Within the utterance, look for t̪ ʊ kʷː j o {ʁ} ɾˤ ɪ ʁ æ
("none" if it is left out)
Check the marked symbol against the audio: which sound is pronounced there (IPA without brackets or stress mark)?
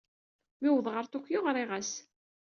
ʁ